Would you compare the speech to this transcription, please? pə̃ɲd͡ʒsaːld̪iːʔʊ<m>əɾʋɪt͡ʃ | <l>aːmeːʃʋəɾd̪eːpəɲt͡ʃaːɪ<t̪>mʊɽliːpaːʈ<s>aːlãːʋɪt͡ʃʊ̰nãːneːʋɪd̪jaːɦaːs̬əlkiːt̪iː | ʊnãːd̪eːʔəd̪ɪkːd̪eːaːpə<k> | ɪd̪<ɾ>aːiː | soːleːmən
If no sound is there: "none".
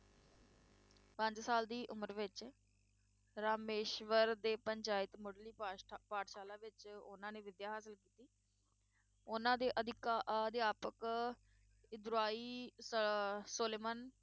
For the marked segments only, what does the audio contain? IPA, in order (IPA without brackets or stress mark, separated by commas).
m, ɾ, t̪, ʃ, k, ɾ